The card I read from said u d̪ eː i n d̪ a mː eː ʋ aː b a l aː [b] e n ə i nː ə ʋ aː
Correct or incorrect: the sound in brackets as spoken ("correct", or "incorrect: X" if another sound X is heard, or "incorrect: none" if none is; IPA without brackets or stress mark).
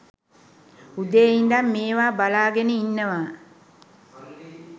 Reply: incorrect: ɡ